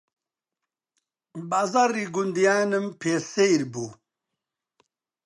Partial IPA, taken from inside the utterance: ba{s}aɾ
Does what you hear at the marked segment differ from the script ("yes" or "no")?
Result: yes